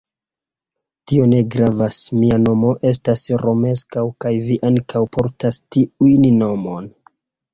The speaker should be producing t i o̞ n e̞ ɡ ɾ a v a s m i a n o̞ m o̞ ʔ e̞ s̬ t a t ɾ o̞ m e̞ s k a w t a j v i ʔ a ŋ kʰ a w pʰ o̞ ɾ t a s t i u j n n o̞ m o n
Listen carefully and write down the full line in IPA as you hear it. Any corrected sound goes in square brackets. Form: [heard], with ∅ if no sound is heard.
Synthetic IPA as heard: t i o̞ n e̞ ɡ ɾ a v a s m i a n o̞ m o̞ ʔ e̞ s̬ t a [s] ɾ o̞ m e̞ s k a w [k] a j v i ʔ a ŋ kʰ a w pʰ o̞ ɾ t a s t i u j n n o̞ m o n